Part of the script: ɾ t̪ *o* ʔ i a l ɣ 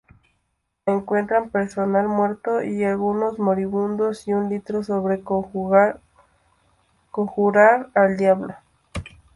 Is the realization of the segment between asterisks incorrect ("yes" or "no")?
no